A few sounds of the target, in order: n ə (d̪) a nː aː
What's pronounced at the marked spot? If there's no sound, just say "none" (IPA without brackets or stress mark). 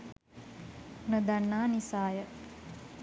d̪